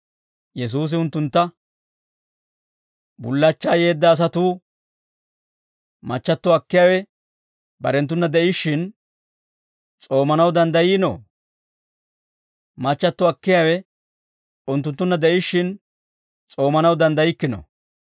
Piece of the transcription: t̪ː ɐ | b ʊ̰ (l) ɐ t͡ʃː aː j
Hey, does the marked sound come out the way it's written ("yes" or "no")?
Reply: no